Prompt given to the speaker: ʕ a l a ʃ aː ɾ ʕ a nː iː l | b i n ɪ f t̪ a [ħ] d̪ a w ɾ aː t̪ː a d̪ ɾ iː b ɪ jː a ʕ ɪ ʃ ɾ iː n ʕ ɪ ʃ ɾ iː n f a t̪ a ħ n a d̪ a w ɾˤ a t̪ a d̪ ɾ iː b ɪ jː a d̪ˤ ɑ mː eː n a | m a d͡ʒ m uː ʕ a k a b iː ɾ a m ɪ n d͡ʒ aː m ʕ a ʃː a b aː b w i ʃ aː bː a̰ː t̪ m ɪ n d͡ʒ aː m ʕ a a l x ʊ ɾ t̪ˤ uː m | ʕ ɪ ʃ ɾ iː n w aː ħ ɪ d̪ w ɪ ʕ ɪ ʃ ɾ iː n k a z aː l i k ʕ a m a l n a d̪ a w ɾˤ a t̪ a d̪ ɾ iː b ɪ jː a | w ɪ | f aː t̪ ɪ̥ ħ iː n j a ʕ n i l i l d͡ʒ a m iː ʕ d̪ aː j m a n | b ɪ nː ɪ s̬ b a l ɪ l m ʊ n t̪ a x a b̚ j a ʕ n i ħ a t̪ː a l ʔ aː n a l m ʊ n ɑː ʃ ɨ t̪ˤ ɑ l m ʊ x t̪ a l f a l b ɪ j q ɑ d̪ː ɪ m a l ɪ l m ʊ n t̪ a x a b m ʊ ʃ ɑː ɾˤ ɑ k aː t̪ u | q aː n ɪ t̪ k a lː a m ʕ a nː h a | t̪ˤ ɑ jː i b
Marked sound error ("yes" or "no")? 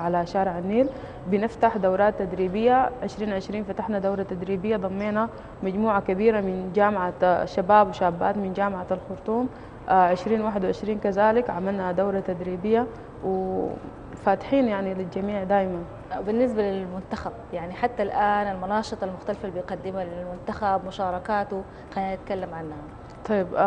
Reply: no